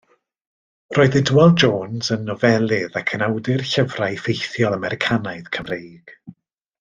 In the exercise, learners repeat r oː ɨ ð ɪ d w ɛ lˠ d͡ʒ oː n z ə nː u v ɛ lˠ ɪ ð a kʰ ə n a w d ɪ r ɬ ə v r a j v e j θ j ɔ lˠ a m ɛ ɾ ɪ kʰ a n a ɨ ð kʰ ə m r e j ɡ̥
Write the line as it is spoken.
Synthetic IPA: r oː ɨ ð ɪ d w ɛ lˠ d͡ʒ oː n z ə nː ɔ v ɛ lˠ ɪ ð a kʰ ə n a w d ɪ r ɬ ə v r a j f e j θ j ɔ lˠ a m ɛ ɾ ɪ kʰ a n a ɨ ð kʰ ə m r e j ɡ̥